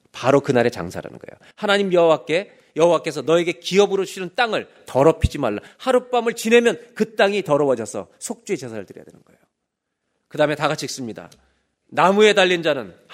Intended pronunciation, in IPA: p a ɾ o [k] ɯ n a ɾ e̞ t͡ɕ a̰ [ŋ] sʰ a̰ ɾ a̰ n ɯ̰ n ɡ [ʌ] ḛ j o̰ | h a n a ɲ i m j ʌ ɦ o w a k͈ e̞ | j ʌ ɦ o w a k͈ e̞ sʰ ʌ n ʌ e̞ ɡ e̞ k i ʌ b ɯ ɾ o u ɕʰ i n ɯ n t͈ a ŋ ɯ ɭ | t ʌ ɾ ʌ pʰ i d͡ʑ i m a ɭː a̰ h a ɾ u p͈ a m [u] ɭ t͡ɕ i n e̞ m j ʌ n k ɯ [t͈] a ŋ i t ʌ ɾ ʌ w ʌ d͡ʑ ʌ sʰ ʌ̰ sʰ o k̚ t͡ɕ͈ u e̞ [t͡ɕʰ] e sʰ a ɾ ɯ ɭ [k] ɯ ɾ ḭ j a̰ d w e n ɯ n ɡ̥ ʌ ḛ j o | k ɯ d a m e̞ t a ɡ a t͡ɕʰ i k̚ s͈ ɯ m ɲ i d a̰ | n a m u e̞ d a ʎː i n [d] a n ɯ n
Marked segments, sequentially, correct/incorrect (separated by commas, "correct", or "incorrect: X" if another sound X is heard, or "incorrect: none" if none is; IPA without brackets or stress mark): correct, correct, correct, incorrect: ɯ, correct, incorrect: t͡ɕ, incorrect: t, incorrect: d͡ʑ